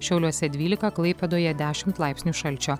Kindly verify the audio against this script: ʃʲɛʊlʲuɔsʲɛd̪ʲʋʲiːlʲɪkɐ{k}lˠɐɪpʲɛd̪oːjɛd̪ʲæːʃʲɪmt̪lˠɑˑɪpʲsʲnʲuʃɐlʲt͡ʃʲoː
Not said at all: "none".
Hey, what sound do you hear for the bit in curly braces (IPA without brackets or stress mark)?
k